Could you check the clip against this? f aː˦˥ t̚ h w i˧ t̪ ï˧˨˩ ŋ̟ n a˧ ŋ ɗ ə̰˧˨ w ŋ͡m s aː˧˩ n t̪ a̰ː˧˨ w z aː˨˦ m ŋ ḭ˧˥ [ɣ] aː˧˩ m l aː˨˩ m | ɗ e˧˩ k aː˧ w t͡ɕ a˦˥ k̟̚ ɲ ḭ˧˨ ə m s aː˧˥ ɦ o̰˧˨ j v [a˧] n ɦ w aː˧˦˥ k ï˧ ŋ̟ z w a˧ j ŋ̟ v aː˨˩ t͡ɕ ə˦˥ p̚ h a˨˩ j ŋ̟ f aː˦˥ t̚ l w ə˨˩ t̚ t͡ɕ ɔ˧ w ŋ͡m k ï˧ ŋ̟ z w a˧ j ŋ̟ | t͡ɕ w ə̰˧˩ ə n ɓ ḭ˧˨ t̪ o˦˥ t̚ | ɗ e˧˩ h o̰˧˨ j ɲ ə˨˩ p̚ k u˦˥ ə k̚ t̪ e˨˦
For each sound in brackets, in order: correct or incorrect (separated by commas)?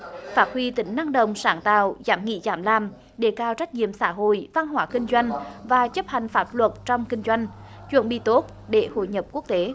incorrect, correct